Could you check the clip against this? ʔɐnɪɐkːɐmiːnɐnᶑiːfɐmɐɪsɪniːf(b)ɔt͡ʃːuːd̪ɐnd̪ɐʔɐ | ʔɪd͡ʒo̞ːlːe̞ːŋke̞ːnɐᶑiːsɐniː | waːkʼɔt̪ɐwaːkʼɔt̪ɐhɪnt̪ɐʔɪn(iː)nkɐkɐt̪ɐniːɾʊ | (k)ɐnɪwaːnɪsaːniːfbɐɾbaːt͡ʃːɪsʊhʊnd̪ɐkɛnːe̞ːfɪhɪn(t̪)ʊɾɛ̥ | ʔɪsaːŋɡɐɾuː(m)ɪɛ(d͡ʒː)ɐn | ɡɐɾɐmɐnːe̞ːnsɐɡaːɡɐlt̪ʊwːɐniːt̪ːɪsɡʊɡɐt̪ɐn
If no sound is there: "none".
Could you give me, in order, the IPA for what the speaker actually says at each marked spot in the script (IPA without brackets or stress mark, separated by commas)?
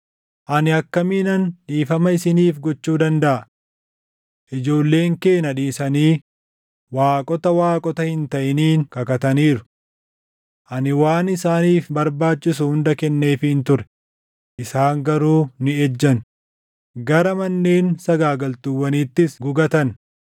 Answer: ɡ, iː, ʔ, t̪, n, d͡ʒː